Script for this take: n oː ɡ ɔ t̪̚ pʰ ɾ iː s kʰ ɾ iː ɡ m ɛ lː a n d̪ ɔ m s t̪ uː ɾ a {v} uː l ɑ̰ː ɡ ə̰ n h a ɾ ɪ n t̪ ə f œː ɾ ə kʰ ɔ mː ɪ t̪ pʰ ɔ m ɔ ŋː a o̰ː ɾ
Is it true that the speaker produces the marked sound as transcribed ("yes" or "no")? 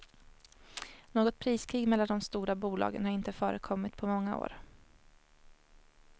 no